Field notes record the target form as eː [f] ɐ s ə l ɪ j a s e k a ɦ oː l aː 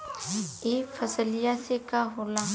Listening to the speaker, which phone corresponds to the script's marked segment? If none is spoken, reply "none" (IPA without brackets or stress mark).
f